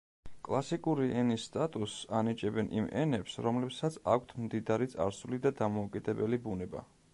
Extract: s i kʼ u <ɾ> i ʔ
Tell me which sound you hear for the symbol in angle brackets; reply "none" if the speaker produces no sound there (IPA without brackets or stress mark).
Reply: ɾ